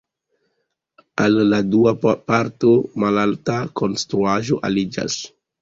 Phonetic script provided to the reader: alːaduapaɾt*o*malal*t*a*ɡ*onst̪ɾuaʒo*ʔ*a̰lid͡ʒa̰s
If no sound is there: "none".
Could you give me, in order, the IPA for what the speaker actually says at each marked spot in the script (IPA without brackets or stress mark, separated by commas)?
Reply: o, t, k, ʔ